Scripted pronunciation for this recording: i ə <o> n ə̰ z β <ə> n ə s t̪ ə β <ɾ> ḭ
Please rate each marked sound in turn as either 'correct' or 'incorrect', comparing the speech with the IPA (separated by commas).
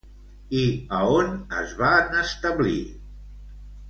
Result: correct, incorrect, incorrect